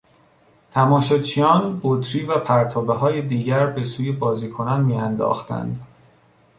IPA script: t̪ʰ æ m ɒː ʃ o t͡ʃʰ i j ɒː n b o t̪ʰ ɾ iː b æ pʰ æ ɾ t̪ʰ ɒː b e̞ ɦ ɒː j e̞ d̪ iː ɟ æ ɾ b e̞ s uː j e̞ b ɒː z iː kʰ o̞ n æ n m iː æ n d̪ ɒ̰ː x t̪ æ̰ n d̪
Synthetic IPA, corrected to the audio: t̪ʰ æ m ɒː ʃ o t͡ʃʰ i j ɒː n b o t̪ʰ ɾ iː v æ pʰ æ ɾ t̪ʰ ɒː b e̞ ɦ ɒː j e̞ d̪ iː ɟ æ ɾ b e̞ s uː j e̞ b ɒː z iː kʰ o̞ n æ n m iː æ n d̪ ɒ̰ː x t̪ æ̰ n d̪